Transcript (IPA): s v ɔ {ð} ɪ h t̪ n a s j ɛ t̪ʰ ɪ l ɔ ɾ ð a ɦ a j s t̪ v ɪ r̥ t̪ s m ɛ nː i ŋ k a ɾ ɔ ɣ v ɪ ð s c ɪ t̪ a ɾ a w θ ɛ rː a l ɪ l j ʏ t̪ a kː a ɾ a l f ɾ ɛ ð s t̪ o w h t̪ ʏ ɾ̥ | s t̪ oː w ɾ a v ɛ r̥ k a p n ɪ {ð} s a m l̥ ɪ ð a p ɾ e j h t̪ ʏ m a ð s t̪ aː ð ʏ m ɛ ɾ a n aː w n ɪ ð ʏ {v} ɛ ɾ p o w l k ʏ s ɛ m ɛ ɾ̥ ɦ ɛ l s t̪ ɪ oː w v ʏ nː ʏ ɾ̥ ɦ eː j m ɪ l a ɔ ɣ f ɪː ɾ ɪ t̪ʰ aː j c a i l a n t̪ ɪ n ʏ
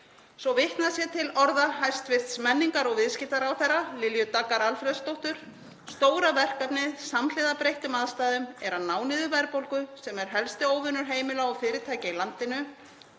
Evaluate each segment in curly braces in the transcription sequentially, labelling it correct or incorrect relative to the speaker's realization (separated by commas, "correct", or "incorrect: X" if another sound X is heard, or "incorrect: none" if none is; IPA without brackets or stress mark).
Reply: incorrect: v, correct, correct